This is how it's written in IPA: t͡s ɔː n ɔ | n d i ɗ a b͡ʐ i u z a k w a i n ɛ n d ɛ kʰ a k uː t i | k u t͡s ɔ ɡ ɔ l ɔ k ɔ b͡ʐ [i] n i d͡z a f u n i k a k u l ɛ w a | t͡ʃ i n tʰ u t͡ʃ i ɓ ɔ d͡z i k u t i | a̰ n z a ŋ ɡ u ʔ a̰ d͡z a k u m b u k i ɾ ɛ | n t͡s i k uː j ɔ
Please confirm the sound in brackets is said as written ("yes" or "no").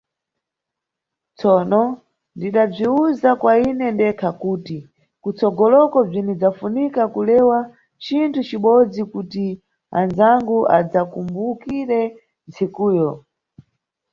yes